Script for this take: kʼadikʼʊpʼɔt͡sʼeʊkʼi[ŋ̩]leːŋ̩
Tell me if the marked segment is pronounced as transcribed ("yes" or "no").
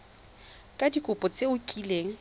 no